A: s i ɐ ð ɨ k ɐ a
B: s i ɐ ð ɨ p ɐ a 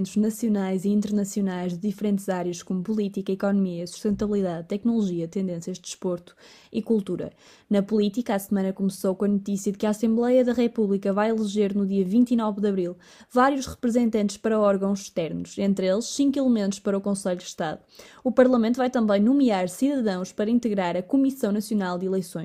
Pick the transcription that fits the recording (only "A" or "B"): A